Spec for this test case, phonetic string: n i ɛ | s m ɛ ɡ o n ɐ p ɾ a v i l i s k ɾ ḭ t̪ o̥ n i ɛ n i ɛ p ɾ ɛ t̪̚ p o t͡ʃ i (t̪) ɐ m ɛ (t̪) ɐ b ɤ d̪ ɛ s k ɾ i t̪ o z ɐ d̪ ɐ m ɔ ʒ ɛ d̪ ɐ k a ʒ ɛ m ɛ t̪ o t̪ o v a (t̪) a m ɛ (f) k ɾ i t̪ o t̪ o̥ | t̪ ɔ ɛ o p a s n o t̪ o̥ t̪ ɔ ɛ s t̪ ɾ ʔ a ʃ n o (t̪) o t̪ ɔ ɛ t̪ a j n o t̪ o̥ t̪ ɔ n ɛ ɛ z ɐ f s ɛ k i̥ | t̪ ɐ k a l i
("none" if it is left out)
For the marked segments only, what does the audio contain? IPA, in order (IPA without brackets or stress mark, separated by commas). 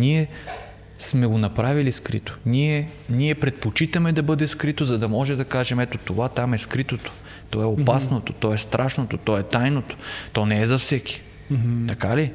t̪, d̪, t̪, s, t̪